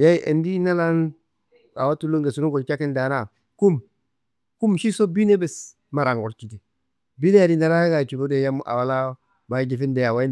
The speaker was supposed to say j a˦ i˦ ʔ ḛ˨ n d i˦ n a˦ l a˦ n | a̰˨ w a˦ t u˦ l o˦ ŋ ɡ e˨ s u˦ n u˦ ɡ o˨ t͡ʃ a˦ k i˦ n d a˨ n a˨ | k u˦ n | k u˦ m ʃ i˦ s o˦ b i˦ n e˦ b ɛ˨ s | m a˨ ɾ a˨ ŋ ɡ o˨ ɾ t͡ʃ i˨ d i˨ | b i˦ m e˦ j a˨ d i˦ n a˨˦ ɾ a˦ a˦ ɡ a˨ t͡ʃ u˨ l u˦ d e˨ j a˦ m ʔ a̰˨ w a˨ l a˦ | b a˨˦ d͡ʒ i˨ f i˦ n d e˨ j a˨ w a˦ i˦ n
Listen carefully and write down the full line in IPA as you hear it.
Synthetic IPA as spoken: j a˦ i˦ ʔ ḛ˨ n d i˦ n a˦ l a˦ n | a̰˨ w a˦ t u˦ l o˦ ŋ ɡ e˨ s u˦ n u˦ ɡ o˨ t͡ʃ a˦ k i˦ n d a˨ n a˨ | k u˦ m | k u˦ m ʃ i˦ s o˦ b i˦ n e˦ b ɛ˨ s | m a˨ ɾ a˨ ŋ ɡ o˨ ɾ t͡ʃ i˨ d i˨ | b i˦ n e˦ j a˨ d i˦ n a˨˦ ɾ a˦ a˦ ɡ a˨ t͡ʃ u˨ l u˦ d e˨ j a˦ m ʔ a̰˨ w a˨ l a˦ | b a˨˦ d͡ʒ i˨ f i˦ n d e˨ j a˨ w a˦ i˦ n